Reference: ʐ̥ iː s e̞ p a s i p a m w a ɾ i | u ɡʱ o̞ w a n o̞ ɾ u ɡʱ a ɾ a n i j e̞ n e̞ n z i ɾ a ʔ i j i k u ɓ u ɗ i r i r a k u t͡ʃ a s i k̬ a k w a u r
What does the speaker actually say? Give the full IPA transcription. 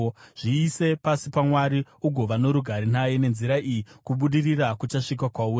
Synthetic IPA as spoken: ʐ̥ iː s e̞ p a s i p a m w a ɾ i | u ɡʱ o̞ ʋ a n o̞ ɾ u ɡʱ a ɾ i n a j e̞ n e̞ n z i ɾ a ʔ i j i k u ɓ u ɗ i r i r a k u t͡ʃ a ʂ i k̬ a k w a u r